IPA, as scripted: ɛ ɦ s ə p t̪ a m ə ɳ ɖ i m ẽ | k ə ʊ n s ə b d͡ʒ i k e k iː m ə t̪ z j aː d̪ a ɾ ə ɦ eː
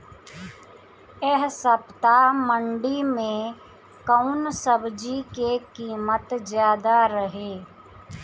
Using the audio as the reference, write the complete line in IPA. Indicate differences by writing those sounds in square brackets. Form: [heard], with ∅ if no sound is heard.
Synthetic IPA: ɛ ɦ s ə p t̪ a m ə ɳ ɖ i m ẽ | k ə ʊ n s ə b d͡ʒ i k e k iː m ə t̪ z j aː d̪ a ɾ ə ɦ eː